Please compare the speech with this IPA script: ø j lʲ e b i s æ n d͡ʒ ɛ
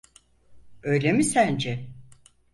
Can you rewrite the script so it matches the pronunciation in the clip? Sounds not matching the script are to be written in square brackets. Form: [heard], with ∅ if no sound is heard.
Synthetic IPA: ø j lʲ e [m] i s æ n d͡ʒ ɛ

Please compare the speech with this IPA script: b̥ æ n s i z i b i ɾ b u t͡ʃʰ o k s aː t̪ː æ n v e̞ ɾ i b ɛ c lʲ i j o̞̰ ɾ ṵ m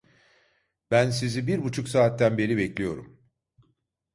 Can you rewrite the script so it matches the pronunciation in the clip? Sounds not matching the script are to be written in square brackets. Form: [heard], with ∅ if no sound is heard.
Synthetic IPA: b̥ æ n s i z i b i ɾ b u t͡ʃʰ [u] k s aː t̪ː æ n [b] e̞ ɾ i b ɛ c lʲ i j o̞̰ ɾ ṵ m

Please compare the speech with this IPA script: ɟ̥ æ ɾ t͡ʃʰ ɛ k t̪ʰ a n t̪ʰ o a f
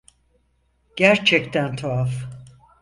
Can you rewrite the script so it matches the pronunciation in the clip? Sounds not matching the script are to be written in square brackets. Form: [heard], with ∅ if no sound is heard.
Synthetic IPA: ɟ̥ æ ɾ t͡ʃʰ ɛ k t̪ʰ [æ] n t̪ʰ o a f

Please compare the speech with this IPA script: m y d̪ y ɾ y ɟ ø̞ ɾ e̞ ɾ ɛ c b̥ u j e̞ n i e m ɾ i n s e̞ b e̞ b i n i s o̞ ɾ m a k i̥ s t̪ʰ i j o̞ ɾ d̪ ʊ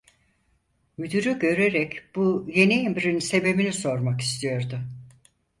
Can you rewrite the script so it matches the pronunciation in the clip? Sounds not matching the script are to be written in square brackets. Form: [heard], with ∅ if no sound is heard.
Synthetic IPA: m y d̪ y ɾ y ɟ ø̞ ɾ e̞ ɾ ɛ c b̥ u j e̞ n i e m ɾ i n s e̞ b e̞ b i n i s o̞ ɾ m a k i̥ s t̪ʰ i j o̞ ɾ d̪ ʊ

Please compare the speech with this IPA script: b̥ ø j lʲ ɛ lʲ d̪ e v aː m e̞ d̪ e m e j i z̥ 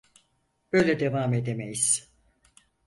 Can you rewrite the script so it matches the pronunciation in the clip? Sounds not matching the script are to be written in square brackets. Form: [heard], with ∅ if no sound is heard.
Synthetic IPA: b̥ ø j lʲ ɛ [∅] d̪ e v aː m e̞ d̪ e m e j i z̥

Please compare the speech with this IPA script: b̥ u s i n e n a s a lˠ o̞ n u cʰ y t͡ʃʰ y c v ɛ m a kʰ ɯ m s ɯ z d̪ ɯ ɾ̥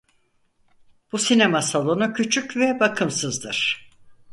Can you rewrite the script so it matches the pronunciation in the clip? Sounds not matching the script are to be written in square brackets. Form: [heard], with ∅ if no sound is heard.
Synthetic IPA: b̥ u s i n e [m] a s a lˠ o̞ n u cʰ y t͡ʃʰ y c v ɛ [b] a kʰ ɯ m s ɯ z d̪ ɯ ɾ̥

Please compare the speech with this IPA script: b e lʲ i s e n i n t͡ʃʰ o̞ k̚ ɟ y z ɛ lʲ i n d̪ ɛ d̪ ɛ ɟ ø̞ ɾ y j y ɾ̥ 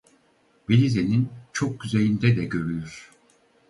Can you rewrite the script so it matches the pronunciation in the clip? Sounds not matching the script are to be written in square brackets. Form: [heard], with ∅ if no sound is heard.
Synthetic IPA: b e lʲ i [z] e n i n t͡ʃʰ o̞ k̚ ɟ y z [e] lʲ i n d̪ ɛ d̪ ɛ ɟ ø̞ ɾ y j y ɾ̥

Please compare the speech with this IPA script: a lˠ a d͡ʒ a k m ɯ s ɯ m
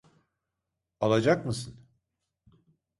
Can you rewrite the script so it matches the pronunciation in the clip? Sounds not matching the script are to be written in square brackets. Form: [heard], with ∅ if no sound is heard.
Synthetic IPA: a lˠ a d͡ʒ a k m ɯ s ɯ [n]

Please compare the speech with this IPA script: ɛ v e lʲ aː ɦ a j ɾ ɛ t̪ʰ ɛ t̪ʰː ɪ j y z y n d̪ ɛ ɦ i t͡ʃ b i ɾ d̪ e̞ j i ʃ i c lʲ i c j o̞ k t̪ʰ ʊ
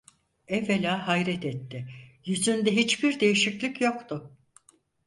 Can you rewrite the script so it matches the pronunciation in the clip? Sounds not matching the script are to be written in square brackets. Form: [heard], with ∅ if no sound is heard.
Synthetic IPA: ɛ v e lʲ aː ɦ a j ɾ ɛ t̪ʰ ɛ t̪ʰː ɪ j y z y n d̪ ɛ ɦ i t͡ʃ b i ɾ d̪ e̞ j i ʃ i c lʲ i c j o̞ k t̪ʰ ʊ

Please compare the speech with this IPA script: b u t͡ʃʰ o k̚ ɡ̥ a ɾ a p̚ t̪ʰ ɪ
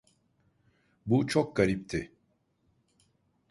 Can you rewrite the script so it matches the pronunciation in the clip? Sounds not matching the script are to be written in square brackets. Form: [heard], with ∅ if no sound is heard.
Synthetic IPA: b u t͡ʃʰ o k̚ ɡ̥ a ɾ [i] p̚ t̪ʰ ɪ

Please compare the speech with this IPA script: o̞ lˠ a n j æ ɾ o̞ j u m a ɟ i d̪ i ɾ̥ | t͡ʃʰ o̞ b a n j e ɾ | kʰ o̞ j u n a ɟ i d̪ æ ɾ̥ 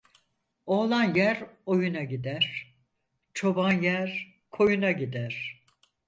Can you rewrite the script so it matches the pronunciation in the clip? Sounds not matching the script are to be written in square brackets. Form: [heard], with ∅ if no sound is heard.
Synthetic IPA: o̞ lˠ a n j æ ɾ o̞ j u [n] a ɟ i d̪ [æ] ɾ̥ | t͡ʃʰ o̞ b a n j [æ] ɾ | kʰ o̞ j u n a ɟ i d̪ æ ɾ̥

